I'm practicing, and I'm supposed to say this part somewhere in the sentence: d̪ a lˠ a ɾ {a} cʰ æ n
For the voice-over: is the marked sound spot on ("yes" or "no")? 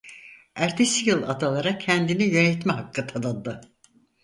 yes